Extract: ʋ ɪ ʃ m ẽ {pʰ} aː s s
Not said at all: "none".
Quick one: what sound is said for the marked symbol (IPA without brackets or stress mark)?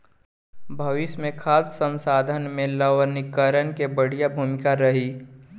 kʰ